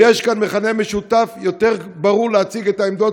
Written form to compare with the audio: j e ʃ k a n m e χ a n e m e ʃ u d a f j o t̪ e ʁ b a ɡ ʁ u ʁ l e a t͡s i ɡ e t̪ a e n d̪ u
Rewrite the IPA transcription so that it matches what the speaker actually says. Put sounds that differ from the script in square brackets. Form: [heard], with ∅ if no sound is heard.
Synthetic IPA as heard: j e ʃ k a n m e χ a n e m e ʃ u [t] a f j o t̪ e ʁ b a [∅] ʁ u ʁ l e a t͡s i ɡ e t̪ a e [m] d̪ [o]